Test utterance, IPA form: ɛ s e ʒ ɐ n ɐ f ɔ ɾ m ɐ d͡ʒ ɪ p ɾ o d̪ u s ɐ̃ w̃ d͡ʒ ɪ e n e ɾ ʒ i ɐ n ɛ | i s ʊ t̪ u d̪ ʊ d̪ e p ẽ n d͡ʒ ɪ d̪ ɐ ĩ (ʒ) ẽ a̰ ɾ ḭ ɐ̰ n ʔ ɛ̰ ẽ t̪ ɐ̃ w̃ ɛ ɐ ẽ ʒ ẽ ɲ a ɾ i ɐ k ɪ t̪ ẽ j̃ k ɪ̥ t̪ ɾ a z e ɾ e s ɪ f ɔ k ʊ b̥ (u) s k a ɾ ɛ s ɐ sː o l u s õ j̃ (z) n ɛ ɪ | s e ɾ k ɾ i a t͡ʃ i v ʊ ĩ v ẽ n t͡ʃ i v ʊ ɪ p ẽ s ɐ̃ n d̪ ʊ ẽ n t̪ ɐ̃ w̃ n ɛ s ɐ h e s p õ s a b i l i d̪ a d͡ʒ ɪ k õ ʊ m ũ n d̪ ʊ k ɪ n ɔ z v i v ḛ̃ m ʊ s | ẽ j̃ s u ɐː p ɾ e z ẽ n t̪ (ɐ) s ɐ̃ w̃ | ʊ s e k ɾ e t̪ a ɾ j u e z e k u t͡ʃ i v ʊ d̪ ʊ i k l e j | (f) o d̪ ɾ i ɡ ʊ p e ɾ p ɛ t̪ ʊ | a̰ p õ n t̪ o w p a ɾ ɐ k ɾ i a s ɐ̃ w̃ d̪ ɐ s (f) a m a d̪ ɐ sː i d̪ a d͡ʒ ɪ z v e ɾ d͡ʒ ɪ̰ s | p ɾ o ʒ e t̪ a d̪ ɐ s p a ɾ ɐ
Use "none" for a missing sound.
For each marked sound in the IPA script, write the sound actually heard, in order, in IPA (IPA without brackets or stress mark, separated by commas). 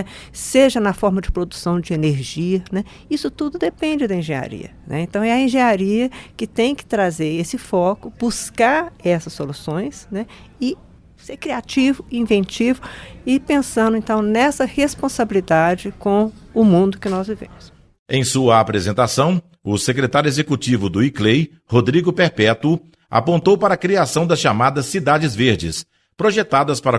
ʒ, u, s, a, h, ʃ